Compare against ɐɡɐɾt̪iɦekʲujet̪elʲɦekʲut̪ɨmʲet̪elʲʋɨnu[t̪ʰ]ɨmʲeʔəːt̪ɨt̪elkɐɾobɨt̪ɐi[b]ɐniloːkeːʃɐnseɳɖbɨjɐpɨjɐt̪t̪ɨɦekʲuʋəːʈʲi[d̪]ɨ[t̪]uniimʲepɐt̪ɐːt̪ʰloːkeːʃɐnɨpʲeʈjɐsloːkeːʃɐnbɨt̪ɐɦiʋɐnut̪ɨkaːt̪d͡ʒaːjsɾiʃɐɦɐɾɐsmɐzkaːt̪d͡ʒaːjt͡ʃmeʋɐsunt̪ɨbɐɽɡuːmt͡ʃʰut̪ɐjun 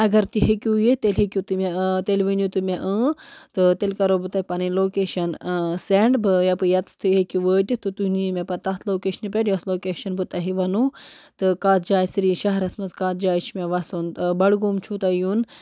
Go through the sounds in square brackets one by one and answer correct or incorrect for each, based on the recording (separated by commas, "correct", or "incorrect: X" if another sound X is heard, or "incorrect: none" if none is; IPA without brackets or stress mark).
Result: incorrect: t̪, incorrect: p, incorrect: t̪, correct